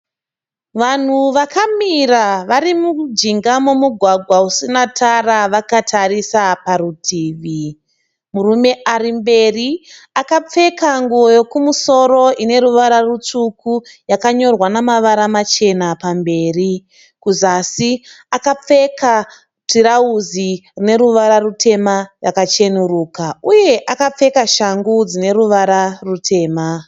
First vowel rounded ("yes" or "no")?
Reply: no